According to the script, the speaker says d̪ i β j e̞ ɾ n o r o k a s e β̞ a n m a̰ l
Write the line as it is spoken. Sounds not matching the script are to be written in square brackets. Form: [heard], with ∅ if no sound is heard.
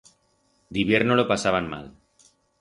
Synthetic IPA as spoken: d̪ i β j e̞ ɾ n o [l] o [p] a s [a] β̞ a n m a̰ l